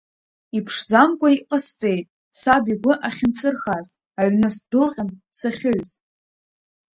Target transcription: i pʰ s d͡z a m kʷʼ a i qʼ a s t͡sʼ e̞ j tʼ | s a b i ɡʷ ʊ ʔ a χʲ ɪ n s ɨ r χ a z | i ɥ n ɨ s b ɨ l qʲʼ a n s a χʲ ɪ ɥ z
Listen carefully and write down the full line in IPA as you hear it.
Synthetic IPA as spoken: i pʰ ʂ d͡z a m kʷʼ a i qʼ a s t͡sʼ e̞ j tʼ | s a b i ɡʷ ʊ ʔ a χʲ ɪ n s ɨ r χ a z | a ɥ n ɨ s d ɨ l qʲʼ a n s a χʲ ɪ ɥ z